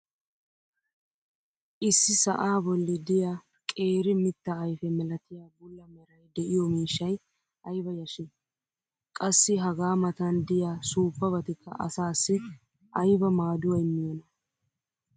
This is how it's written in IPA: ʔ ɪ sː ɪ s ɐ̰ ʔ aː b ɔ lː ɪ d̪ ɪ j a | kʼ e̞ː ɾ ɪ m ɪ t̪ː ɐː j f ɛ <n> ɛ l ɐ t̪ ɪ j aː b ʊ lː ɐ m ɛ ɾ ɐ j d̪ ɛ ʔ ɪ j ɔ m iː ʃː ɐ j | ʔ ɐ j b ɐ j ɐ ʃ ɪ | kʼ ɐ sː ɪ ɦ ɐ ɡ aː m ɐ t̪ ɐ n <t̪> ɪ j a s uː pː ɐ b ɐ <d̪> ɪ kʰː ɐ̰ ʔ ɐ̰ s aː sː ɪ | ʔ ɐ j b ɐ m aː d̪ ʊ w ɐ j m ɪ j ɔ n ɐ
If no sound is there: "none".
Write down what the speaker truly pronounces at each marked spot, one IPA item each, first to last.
m, d̪, t̪

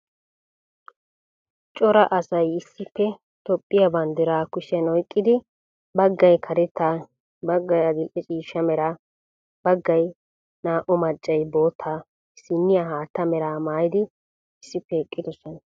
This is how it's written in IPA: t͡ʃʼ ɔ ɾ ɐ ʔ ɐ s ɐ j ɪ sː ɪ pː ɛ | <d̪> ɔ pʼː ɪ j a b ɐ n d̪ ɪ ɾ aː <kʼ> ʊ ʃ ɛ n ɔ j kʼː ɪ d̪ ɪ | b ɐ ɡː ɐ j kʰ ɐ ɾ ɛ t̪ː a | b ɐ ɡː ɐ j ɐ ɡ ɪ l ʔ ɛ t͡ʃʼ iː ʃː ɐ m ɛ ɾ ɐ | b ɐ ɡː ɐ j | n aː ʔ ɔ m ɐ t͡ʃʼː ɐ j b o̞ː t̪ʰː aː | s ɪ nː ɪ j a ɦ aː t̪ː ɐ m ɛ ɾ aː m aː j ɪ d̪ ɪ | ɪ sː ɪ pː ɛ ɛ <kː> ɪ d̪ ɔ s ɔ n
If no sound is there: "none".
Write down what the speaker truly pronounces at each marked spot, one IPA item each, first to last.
t̪, k, kʼː

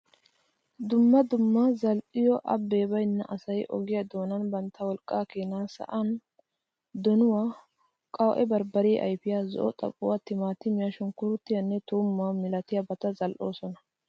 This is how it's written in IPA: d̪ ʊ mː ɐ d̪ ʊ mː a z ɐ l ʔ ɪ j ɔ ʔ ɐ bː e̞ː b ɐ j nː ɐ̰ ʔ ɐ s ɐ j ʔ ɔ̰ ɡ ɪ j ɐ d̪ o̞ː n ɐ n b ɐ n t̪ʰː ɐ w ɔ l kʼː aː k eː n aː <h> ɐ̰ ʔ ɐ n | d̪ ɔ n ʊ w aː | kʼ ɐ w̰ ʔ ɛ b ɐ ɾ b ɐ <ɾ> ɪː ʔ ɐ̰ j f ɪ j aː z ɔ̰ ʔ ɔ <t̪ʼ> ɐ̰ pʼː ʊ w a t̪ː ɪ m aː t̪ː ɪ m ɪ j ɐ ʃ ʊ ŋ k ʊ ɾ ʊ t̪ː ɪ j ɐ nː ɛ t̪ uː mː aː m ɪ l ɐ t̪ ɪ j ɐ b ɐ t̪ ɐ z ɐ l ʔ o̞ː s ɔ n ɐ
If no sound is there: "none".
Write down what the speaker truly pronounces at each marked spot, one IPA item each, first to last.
s, ɾ, t̪ʼ

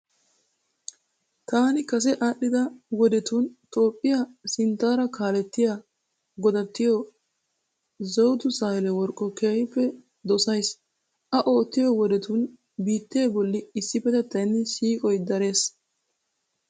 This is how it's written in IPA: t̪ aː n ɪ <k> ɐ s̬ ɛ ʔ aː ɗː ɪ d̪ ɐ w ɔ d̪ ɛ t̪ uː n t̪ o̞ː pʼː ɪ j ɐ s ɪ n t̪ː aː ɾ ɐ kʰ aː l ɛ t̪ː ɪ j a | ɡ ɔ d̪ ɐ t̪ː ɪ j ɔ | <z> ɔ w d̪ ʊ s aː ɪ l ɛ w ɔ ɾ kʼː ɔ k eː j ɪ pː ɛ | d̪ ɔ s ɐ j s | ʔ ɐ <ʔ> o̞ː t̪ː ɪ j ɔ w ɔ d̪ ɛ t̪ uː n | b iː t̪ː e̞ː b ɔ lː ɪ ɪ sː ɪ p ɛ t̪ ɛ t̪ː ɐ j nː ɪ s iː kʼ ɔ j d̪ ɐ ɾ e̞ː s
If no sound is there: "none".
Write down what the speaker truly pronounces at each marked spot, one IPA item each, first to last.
k, z, ʔ

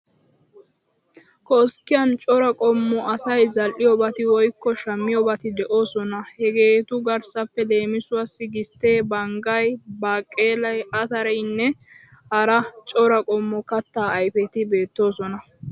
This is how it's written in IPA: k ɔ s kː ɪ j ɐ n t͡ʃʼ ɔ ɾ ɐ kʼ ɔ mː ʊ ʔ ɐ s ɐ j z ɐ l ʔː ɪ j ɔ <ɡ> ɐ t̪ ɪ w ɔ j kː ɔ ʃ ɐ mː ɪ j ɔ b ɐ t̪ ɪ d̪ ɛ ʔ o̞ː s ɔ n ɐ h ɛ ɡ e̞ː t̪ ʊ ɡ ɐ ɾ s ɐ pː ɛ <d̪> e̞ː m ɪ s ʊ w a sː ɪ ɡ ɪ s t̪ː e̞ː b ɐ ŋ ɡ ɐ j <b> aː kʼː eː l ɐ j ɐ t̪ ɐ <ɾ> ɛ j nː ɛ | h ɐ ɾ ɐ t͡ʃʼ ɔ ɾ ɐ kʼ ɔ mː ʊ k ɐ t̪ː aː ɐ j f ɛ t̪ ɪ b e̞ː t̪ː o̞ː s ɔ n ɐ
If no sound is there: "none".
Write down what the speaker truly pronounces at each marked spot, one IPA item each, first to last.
b, d̪, b, ɾ

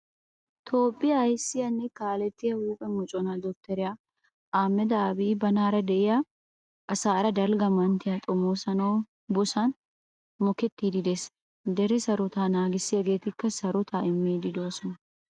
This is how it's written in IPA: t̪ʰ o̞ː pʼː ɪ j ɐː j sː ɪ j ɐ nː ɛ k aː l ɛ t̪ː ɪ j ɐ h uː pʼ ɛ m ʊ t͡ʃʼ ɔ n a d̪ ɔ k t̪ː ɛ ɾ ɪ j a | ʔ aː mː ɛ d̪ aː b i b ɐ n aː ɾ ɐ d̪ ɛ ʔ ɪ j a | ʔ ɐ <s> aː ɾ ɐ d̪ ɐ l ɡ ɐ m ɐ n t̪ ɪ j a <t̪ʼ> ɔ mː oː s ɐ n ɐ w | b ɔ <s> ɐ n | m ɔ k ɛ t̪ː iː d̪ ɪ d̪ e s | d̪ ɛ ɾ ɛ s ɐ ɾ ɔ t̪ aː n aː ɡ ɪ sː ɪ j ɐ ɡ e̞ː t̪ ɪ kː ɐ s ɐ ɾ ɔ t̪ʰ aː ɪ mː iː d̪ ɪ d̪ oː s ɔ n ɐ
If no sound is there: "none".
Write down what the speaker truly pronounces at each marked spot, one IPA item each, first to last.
s, t̪ʼ, s

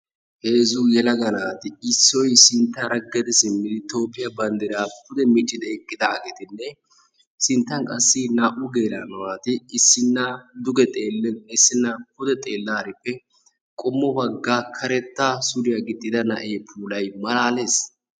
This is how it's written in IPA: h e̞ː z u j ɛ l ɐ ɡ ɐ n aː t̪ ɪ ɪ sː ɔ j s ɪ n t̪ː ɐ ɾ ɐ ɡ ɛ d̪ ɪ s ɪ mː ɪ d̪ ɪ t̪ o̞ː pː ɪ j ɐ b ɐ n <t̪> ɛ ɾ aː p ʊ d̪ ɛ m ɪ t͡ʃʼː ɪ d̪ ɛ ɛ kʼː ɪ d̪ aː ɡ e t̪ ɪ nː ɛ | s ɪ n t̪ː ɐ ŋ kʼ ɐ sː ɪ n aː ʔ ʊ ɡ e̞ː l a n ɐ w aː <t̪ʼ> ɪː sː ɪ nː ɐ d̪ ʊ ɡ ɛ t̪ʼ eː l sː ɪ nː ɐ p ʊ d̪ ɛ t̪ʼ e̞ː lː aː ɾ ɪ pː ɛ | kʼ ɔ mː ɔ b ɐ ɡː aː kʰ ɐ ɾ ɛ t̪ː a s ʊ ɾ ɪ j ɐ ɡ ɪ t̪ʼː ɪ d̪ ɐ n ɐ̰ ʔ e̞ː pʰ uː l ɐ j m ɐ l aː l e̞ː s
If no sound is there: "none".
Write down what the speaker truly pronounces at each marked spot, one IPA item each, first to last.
d̪, t̪

